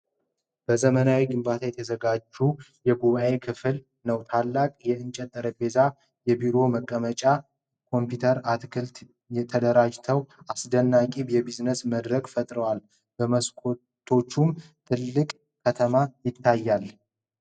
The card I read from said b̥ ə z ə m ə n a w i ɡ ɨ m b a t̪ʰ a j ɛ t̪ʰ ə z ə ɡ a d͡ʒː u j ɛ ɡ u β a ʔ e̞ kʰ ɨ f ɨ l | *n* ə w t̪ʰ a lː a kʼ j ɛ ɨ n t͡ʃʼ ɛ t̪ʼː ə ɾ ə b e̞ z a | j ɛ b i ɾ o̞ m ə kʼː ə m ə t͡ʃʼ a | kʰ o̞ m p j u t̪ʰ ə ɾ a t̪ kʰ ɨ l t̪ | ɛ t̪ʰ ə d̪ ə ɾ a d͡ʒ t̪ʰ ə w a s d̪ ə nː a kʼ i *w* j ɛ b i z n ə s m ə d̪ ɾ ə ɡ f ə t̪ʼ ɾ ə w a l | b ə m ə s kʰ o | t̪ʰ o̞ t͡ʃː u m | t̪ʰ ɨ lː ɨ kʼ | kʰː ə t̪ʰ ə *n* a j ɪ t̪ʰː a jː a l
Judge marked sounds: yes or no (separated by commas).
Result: yes, no, no